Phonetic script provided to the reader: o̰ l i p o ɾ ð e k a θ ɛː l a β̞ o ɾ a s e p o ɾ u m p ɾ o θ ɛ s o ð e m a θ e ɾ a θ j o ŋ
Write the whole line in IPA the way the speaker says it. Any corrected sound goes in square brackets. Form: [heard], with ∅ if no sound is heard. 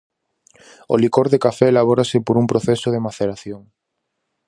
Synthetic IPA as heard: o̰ l i [k] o ɾ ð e k a [f] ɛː l a β̞ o ɾ a s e p o ɾ u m p ɾ o θ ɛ s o ð e m a θ e ɾ a θ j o ŋ